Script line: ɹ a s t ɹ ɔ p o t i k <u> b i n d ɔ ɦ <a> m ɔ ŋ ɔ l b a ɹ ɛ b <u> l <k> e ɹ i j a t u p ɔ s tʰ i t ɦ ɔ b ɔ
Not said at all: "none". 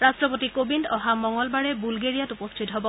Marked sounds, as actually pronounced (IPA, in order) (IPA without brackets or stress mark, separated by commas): o, a, u, ɡ